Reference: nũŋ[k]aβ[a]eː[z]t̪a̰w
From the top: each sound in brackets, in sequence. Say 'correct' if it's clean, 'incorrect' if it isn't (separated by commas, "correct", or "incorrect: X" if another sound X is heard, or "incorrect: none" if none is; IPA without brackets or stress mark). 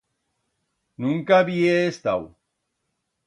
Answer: correct, incorrect: i, incorrect: s